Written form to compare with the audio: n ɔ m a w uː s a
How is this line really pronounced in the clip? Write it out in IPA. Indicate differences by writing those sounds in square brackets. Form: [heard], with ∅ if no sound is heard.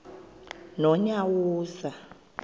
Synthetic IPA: n ɔ [ɲ] a w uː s a